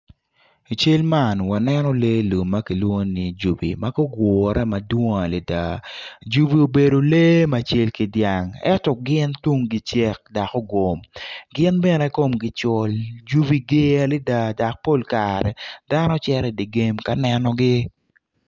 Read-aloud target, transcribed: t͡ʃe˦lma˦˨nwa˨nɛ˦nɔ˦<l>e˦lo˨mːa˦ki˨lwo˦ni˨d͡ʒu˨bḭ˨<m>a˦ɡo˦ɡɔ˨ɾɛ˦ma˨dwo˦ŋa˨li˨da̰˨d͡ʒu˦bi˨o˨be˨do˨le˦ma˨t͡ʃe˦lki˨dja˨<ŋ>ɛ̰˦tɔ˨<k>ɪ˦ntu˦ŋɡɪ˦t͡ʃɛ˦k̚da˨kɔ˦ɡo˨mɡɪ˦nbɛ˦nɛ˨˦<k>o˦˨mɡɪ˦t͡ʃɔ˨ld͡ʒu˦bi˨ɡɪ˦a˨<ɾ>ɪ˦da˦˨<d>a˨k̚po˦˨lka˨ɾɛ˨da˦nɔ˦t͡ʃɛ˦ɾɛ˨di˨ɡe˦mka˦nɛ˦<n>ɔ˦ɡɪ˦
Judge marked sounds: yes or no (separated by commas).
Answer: yes, yes, yes, no, yes, no, yes, yes